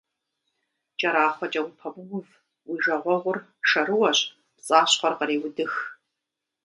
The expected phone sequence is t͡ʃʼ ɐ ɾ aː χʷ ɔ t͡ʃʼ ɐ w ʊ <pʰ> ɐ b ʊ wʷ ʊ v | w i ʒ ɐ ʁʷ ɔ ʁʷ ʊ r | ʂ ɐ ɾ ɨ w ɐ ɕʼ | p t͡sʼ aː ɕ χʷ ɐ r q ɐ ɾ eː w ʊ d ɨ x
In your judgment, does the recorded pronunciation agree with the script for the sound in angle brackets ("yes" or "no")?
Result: yes